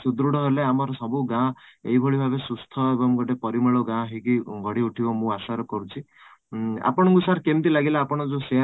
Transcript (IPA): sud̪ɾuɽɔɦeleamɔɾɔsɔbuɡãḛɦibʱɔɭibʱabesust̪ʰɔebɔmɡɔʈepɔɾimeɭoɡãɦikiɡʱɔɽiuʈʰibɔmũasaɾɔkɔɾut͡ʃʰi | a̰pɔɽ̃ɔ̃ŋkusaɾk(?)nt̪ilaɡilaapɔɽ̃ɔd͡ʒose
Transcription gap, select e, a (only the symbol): e